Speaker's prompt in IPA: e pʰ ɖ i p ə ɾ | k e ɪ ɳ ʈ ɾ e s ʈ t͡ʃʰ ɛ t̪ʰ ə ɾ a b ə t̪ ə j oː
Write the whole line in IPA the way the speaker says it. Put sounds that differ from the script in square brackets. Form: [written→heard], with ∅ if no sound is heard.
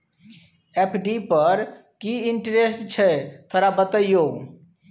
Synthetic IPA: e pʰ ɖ i p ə ɾ | k [e→i] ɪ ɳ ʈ ɾ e s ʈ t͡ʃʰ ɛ t̪ʰ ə ɾ a b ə t̪ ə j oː